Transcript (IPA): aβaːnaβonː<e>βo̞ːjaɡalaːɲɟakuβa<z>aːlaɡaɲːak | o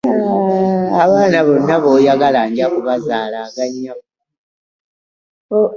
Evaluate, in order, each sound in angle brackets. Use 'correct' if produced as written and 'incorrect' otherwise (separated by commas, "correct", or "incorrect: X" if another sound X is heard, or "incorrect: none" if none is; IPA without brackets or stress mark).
incorrect: a, correct